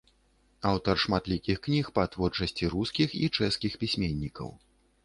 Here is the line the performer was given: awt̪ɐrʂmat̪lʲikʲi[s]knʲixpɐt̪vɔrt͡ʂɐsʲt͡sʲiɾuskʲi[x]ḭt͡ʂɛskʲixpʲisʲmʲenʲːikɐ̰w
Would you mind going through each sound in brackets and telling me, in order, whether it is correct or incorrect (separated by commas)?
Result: incorrect, correct